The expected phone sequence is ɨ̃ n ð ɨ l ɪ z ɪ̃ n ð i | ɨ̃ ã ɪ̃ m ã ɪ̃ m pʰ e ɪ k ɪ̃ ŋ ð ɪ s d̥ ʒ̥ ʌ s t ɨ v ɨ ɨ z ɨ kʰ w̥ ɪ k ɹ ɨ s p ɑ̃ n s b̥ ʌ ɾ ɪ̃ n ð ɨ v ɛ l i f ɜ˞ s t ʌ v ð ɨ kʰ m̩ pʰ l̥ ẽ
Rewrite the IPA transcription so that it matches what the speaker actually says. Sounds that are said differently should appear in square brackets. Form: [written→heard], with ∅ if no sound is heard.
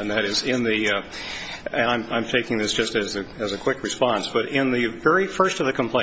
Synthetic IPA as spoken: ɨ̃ n ð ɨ [l→ɾ] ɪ z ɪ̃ n ð i | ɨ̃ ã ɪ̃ m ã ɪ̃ m [pʰ→tʰ] e ɪ k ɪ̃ ŋ ð ɪ s d̥ ʒ̥ ʌ s t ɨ [v→z] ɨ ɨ z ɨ kʰ w̥ ɪ k ɹ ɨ s p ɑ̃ n s b̥ ʌ ɾ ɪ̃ n ð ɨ v ɛ [l→ɹ] i f ɜ˞ s t ʌ v ð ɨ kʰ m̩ pʰ l̥ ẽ